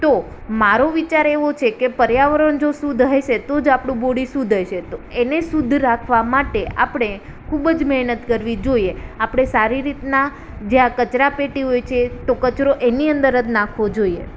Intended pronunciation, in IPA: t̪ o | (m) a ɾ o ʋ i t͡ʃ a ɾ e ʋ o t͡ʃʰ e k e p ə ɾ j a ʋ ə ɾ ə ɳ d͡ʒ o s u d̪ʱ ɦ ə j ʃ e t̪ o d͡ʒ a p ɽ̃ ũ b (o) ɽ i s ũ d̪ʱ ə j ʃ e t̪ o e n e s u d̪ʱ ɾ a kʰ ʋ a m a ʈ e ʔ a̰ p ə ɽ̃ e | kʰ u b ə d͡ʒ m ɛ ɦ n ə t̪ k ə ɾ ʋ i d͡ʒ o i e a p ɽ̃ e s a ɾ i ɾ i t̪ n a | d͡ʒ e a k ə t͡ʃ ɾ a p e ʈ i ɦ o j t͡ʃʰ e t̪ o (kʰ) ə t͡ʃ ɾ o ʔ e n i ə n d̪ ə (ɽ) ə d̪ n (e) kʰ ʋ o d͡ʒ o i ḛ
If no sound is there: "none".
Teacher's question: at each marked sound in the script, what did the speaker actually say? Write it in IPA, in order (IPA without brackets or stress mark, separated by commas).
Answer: m, o, k, ɾ, a